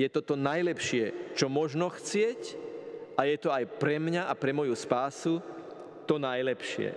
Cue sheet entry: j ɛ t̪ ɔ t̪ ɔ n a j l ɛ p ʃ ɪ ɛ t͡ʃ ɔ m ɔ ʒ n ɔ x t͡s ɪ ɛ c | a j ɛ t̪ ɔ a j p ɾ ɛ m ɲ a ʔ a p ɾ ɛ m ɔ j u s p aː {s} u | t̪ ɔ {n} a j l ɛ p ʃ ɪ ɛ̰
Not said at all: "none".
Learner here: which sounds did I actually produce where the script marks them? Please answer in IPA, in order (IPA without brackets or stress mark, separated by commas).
s, n